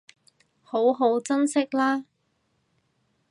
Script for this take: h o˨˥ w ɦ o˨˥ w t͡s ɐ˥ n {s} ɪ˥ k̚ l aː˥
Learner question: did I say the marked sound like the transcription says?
yes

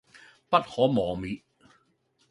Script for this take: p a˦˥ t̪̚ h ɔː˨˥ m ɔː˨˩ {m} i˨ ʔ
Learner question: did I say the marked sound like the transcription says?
yes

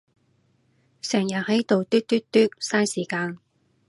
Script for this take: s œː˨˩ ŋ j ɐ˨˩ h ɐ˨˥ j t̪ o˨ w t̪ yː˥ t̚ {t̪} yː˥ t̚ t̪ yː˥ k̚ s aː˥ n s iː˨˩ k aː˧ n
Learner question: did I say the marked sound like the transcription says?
yes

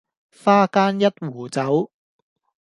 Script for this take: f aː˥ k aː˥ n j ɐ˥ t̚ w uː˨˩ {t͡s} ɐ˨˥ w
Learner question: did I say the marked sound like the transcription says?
yes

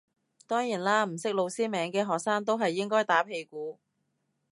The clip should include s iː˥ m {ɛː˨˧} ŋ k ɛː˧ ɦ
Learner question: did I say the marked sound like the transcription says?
yes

